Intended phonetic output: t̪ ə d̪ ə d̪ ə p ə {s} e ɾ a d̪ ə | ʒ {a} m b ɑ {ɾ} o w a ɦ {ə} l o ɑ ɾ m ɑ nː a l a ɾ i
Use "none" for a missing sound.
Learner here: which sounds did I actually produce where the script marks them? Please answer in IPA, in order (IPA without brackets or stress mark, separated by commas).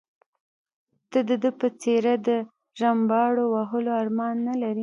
t͡s, a, ɽ, ə